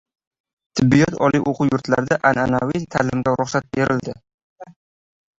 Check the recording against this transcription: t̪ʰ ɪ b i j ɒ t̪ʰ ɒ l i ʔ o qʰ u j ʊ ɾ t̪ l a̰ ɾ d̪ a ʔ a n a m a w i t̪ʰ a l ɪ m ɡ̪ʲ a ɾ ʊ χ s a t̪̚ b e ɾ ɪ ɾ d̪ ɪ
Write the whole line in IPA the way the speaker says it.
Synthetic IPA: t̪ʰ ɪ bː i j ɒ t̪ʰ ɒ l i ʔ o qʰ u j ʊ ɾ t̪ l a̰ ɾ d̪ a ʔ a n a n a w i t̪ʰ a l ɪ m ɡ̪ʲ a ɾ ʊ χ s a t̪̚ b e ɾ ɪ l d̪ ɪ